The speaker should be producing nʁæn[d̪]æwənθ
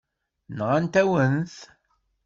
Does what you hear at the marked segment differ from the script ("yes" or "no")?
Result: yes